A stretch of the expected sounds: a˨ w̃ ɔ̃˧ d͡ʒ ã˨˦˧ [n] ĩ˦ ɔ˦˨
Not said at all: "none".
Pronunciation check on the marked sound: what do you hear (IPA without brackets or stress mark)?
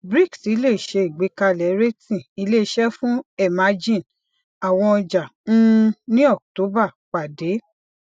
n